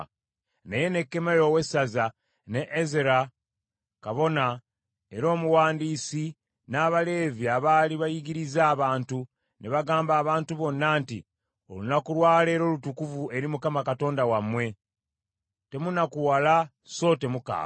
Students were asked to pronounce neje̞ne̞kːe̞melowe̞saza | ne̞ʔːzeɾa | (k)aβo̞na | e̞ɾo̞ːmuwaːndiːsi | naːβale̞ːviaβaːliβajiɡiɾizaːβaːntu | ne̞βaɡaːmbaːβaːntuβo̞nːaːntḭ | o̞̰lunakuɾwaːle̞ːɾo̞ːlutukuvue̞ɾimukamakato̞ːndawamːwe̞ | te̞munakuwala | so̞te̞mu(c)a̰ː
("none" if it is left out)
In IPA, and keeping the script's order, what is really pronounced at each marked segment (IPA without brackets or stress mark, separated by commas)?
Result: k, k